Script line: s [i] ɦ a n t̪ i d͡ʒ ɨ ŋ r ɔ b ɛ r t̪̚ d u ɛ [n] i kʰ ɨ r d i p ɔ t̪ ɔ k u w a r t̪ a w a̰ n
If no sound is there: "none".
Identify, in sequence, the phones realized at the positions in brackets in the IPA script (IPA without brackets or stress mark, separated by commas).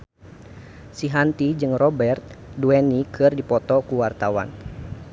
i, n